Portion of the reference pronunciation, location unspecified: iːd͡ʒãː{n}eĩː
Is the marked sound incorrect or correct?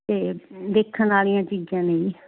correct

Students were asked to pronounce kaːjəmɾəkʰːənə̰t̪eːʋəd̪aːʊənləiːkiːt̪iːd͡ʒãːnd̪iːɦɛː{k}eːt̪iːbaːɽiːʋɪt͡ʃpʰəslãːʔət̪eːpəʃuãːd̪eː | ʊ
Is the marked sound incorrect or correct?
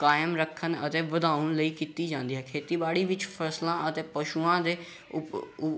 incorrect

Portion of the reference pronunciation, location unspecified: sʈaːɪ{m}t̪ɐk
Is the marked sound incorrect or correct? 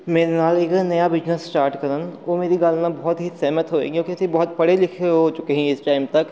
correct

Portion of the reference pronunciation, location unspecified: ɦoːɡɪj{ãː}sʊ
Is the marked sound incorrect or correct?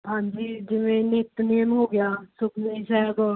incorrect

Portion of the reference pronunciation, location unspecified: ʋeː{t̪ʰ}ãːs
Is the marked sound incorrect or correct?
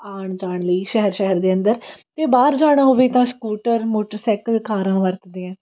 incorrect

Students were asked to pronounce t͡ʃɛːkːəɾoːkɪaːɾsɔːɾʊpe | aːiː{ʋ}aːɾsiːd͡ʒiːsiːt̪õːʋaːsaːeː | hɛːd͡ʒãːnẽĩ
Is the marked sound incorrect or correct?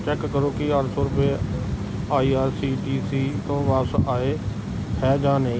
incorrect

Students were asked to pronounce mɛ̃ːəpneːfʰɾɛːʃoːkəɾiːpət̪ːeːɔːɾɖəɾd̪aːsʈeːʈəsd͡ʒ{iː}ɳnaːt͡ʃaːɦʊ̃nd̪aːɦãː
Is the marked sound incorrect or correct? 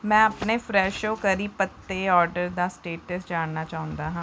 incorrect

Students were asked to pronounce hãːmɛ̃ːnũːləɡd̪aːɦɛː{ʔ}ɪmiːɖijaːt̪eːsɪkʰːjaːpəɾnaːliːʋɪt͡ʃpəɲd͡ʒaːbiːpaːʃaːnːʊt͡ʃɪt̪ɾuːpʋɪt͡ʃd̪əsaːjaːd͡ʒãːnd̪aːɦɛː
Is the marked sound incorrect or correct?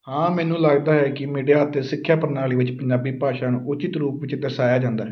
incorrect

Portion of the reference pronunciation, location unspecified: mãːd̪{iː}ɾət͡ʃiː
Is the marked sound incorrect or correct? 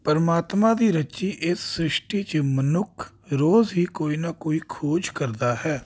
correct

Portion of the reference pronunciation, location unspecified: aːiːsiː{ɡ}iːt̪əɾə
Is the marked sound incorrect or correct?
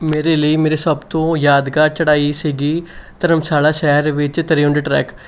correct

